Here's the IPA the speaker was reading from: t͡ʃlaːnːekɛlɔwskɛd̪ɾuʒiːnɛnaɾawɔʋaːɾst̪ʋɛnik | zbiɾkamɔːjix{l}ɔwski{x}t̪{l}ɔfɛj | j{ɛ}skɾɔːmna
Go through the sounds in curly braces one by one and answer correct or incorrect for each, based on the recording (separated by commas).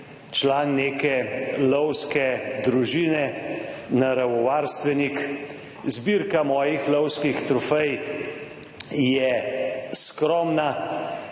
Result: correct, correct, incorrect, correct